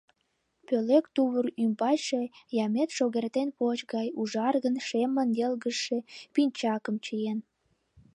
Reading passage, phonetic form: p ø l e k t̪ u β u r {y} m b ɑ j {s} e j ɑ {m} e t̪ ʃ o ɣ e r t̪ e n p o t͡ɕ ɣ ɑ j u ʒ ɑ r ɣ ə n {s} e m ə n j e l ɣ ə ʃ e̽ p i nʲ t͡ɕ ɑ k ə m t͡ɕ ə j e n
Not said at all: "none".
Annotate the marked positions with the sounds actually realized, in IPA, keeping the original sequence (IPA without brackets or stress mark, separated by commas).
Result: y, ʃ, m, ʃ